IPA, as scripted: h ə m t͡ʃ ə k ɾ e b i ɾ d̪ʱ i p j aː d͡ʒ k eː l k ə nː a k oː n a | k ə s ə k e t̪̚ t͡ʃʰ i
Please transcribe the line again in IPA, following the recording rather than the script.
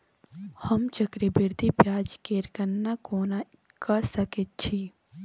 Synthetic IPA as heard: h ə m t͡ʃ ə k ɾ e b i ɾ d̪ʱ i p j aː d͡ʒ k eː ɾ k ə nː a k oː n a | k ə s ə k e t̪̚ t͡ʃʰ i